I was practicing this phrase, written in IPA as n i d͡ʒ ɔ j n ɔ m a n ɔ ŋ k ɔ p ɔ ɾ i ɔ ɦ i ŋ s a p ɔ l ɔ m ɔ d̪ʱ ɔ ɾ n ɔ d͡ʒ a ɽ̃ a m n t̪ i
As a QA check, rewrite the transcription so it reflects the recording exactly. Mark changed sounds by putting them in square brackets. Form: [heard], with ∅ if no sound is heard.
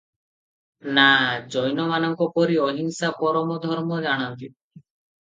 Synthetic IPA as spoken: n [a] d͡ʒ ɔ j n ɔ m a n ɔ ŋ k ɔ p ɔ ɾ i ɔ ɦ i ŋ s a p ɔ [ɾ] ɔ m ɔ d̪ʱ ɔ ɾ [m] ɔ d͡ʒ a ɽ̃ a [∅] n t̪ i